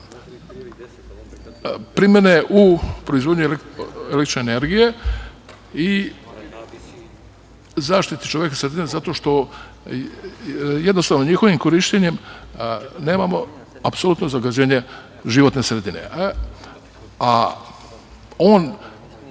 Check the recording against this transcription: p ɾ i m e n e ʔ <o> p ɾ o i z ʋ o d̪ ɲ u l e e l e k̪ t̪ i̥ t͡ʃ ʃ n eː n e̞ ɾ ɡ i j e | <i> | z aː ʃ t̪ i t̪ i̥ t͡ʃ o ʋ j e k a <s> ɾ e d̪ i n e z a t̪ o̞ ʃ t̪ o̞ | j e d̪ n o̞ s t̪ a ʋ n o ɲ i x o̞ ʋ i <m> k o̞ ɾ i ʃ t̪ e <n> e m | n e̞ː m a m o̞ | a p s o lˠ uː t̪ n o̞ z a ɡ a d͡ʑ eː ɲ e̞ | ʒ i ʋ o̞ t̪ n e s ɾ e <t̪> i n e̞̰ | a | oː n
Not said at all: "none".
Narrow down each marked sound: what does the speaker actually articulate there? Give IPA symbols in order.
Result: u, i, s, m, ɲ, d̪

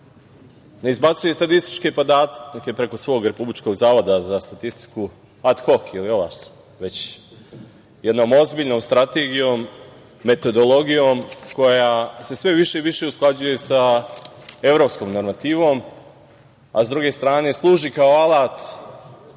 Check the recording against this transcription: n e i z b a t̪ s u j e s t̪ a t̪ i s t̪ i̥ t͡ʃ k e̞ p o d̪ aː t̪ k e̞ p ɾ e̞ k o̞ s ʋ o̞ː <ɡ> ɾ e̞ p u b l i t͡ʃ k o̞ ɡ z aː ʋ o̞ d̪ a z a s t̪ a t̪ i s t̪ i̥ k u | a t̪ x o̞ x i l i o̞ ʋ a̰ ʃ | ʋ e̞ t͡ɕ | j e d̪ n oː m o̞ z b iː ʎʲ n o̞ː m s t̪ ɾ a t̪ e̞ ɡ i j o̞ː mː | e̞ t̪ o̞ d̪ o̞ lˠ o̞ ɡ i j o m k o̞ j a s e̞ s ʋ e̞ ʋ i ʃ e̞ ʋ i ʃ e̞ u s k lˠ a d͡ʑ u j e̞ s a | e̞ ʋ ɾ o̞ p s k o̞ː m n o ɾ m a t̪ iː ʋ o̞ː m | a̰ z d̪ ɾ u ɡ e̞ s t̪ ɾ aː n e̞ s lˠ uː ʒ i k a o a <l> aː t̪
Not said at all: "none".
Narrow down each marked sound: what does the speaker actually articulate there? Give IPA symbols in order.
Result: ɡ, l

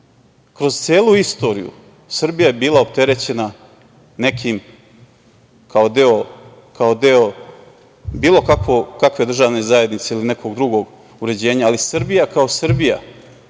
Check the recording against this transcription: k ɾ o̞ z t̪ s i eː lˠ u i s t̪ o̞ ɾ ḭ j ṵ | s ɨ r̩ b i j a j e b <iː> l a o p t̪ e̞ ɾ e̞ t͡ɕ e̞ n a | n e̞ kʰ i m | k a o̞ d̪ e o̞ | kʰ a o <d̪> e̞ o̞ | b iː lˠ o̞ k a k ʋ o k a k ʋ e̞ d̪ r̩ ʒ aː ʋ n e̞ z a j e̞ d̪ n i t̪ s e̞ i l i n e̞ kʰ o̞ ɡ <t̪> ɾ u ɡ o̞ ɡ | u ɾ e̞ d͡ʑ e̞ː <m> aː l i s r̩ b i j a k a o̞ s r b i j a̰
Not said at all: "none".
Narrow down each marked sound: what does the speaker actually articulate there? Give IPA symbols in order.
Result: iː, d̪, d̪, ɲ

